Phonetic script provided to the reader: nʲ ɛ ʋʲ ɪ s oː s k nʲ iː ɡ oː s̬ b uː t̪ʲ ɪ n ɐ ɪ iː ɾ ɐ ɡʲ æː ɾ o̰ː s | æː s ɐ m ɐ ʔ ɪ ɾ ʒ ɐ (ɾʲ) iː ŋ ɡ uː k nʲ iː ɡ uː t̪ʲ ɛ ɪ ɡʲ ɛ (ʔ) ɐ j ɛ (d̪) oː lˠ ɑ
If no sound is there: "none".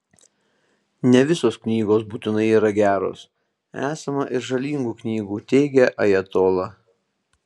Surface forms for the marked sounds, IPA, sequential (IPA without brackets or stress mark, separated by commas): lʲ, ʔ, t̪